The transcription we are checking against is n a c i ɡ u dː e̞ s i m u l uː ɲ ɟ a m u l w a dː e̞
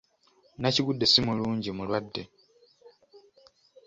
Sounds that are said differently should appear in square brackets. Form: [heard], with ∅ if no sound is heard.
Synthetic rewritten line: n a c i ɡ u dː e̞ s i m u l uː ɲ ɟ [i] m u l w a dː e̞

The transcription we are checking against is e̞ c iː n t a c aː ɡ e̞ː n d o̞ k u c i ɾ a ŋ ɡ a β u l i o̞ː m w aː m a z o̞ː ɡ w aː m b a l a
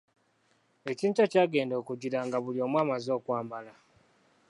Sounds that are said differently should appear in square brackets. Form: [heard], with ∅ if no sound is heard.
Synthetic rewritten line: e̞ c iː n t a c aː ɡ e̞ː n d o̞ k u [ɟ] i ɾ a ŋ ɡ a β u l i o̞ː m w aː m a z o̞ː [k] w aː m b a l a

